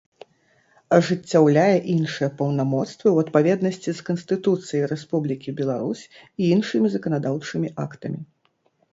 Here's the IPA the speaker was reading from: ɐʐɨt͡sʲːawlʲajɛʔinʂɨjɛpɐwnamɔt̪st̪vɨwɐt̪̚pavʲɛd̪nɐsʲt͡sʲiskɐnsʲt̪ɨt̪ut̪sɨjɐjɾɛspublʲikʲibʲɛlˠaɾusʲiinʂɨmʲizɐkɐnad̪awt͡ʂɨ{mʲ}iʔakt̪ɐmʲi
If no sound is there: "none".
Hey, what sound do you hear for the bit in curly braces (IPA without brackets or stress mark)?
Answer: mʲ